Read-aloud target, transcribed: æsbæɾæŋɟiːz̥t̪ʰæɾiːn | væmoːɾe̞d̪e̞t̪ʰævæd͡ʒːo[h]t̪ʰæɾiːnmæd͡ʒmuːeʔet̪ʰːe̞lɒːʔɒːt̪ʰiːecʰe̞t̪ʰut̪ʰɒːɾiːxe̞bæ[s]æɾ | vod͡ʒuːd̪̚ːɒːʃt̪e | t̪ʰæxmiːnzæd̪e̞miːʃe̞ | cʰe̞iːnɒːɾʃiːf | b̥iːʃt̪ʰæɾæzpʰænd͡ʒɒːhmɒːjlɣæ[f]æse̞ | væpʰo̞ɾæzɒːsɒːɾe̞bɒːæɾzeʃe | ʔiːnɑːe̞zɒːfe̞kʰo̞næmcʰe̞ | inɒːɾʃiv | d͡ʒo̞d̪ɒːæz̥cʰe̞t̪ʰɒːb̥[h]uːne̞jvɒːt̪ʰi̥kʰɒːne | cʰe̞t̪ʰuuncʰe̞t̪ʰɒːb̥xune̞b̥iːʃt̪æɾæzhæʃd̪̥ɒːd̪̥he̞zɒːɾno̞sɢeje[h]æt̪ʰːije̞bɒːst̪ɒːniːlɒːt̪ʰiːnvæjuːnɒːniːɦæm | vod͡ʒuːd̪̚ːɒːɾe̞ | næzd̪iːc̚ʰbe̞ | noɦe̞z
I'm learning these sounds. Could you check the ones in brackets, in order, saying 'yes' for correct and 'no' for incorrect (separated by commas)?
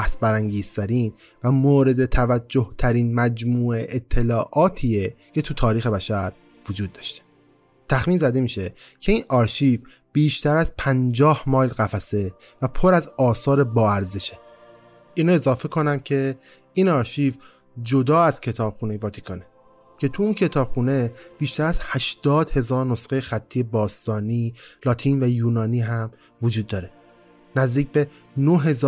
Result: yes, no, yes, no, no